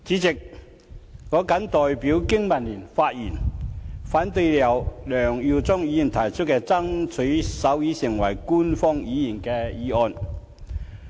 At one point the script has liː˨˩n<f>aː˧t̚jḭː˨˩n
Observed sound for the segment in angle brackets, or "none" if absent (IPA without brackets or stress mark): f